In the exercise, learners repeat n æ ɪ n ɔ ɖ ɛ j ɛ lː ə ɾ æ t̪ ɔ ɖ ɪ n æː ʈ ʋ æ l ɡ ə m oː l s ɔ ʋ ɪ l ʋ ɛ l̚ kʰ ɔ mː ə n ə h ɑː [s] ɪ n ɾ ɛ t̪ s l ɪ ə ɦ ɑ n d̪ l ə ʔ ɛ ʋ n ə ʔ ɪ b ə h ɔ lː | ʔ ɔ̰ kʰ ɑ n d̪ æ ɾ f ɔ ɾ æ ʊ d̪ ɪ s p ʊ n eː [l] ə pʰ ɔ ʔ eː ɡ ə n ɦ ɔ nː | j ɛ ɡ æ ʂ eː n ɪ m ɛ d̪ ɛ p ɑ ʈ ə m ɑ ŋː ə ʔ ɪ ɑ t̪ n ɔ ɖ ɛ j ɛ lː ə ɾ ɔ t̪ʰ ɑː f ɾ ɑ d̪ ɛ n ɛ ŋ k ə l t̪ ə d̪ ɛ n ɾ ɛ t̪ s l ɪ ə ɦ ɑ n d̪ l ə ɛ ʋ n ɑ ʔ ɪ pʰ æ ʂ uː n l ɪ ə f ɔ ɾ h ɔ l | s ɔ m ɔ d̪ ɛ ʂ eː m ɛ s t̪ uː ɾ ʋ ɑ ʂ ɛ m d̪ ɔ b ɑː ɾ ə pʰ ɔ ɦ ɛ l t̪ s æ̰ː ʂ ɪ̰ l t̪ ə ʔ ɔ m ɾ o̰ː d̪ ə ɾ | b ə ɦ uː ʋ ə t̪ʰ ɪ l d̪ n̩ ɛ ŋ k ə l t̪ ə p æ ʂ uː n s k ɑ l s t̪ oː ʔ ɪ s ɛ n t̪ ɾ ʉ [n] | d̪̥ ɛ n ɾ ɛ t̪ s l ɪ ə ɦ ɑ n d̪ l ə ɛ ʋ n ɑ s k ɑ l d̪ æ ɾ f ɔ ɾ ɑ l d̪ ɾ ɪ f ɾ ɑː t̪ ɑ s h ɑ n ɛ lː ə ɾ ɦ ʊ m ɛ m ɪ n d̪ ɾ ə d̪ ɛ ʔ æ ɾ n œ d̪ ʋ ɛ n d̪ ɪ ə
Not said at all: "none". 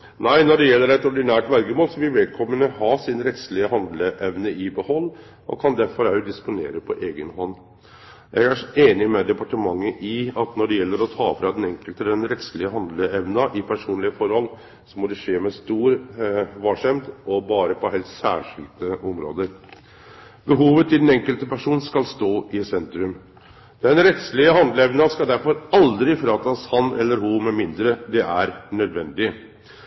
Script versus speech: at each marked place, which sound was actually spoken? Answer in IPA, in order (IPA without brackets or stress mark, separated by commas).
s, ɾ, m